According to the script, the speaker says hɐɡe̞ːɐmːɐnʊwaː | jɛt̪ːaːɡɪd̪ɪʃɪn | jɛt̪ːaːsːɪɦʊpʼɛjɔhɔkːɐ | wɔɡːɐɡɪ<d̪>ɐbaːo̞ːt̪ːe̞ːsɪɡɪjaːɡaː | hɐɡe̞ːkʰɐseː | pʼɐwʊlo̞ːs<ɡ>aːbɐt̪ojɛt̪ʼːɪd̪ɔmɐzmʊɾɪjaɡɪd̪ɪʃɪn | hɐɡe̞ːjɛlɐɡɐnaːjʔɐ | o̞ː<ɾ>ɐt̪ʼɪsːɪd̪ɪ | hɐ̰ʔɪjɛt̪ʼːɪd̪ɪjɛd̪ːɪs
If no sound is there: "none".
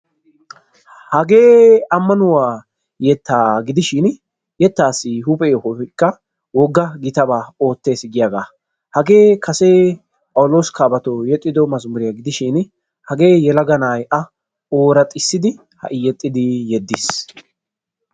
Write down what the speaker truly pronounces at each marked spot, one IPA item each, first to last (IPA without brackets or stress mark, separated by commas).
t̪, k, ɾ